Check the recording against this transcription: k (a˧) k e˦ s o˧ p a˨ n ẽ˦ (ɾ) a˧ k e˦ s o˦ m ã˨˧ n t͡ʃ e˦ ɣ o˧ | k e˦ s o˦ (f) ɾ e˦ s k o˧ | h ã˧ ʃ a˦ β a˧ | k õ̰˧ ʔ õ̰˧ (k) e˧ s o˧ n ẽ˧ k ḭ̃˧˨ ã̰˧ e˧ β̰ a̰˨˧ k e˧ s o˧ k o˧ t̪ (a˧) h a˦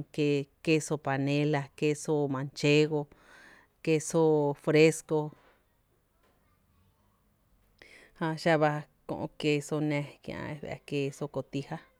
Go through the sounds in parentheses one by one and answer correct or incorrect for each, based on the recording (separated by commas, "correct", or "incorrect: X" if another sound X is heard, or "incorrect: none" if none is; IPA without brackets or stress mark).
incorrect: e˧, incorrect: l, correct, correct, incorrect: i˧